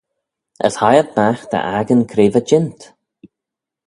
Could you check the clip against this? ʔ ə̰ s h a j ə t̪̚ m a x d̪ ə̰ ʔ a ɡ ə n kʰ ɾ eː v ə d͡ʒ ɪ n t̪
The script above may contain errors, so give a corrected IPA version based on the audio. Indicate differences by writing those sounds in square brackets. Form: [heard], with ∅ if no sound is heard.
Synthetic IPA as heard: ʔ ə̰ s h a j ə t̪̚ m a x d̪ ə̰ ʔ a ɡ ə n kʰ ɾ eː v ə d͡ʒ ɪ n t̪